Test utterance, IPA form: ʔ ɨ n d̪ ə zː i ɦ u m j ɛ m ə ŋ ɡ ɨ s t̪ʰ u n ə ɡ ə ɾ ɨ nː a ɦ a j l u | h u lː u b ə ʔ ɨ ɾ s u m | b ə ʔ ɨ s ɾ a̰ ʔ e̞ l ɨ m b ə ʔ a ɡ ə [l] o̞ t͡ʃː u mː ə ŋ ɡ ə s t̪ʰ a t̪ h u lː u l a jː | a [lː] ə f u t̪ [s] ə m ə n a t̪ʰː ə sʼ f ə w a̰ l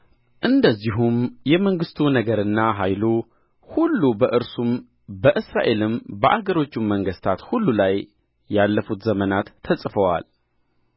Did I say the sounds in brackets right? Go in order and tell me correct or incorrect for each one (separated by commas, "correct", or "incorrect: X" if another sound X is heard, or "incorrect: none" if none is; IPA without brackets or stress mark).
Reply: incorrect: ɾ, correct, incorrect: z